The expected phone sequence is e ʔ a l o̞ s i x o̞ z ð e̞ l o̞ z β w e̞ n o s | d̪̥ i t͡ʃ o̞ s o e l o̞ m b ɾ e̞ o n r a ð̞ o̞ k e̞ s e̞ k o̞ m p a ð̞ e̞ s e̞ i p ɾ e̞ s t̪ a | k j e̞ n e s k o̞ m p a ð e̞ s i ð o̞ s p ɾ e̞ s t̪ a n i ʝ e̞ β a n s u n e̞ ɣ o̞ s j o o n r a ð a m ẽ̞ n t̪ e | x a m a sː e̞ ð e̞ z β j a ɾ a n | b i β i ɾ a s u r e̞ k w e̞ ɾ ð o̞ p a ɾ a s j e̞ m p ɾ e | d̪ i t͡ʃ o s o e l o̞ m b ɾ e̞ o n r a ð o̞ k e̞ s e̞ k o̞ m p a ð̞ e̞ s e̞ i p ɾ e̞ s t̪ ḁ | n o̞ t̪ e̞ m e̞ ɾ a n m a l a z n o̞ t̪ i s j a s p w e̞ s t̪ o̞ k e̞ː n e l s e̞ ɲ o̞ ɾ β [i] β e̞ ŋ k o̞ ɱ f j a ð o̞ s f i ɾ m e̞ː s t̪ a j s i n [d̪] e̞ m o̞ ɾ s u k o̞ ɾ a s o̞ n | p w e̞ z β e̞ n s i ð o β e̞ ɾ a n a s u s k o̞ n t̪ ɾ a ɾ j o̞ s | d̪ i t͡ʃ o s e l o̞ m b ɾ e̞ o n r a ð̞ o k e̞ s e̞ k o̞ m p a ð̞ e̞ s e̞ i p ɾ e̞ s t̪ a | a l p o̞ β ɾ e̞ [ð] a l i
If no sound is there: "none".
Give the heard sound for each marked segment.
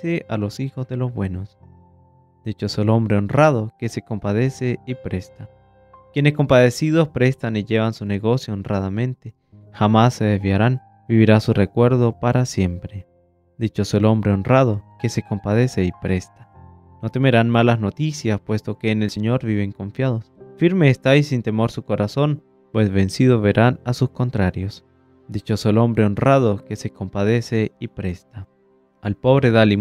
i, t̪, ð

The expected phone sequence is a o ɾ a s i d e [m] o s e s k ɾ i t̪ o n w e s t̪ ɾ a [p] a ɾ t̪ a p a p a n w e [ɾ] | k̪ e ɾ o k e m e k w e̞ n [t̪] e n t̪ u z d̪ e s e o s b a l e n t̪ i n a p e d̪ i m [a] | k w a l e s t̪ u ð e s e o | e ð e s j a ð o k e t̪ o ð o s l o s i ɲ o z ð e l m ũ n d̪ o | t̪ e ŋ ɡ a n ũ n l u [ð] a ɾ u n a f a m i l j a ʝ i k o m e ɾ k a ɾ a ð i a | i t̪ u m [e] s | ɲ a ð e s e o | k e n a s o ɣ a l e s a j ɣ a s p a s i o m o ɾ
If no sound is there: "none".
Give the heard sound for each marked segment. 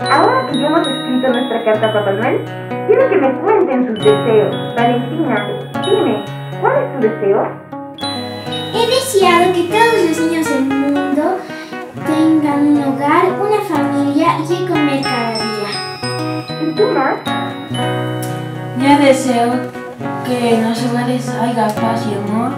m, k, l, t̪, e, ɣ, a

